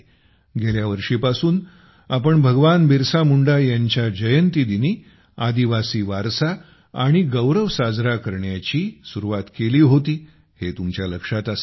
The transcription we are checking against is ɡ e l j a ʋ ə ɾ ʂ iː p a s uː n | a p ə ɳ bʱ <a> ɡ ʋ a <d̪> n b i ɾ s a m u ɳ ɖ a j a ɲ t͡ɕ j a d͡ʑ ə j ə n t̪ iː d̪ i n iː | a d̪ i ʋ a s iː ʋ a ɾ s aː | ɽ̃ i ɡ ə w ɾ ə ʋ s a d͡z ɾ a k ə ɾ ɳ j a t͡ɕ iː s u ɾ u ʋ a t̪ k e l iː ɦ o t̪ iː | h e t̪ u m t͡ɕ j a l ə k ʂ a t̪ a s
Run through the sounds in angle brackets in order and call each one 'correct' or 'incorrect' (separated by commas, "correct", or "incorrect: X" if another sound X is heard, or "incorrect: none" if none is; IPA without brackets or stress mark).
incorrect: ə, incorrect: none